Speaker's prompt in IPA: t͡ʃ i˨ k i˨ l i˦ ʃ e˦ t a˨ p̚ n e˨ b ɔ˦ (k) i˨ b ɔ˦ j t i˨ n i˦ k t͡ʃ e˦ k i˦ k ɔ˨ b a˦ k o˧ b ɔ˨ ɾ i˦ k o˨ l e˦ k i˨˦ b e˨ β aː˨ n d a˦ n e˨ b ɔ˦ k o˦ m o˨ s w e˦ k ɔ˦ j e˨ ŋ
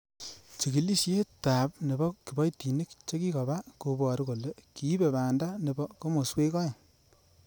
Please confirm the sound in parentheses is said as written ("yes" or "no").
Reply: yes